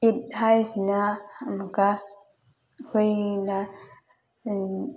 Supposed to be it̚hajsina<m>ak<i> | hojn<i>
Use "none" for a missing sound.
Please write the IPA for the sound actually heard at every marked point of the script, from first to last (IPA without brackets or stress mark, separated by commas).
m, a, a